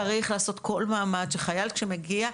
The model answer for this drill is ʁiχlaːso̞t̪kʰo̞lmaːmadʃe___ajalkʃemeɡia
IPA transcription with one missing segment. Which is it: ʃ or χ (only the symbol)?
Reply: χ